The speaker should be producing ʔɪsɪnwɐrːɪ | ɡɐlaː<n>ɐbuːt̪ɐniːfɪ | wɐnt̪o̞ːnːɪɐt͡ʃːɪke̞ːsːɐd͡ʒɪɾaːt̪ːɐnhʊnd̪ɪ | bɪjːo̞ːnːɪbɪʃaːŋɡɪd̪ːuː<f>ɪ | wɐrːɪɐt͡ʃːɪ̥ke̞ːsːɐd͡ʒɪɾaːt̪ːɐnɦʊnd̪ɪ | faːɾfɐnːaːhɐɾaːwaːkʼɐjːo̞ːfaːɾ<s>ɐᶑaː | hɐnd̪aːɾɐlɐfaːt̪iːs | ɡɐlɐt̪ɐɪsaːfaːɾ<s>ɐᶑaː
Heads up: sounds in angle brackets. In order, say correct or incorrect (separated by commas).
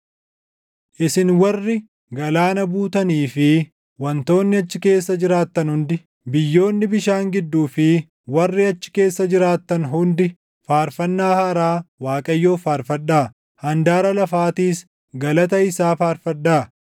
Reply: correct, correct, incorrect, incorrect